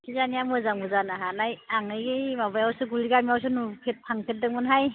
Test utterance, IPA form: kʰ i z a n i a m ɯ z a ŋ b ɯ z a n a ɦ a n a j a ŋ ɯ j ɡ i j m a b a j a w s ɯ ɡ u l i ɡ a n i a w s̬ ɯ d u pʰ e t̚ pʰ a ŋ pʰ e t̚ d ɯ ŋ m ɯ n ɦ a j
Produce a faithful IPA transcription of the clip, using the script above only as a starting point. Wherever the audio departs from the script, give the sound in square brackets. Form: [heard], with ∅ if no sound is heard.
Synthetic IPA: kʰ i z a n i a m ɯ z a ŋ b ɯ z a n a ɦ a n a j a ŋ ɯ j ɡ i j m a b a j a w s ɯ ɡ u l i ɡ a [m] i a w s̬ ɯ [n] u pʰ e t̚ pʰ a ŋ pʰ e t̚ d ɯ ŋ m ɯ n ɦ a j